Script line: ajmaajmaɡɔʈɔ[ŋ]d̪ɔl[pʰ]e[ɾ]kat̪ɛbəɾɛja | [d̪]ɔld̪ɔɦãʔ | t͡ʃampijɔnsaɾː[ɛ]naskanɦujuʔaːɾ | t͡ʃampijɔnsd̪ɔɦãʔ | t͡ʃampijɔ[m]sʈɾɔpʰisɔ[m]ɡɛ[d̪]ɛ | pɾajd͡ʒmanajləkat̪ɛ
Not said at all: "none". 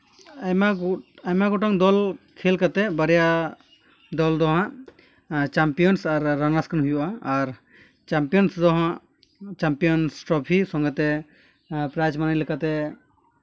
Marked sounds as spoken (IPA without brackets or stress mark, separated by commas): ŋ, kʰ, l, d̪, a, n, ŋ, t̪